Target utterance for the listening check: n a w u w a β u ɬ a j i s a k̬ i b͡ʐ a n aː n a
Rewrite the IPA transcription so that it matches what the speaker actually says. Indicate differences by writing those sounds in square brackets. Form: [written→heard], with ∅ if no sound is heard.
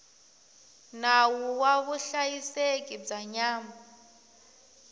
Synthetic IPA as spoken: n a w u w a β u ɬ a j i s [a→e] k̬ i b͡ʐ a [n→ɲ] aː [n→m] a